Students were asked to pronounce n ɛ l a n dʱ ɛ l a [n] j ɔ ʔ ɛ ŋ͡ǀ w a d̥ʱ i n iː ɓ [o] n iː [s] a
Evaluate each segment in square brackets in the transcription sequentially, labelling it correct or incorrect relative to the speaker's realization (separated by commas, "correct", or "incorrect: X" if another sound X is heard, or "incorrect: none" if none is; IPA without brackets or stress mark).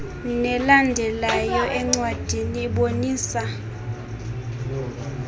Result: incorrect: none, correct, correct